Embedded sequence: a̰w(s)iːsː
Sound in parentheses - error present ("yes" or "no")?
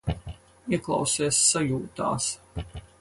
no